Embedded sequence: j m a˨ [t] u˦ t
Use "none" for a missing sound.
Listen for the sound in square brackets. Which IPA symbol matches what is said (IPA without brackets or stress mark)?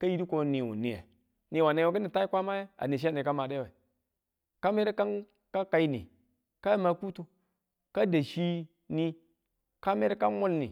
k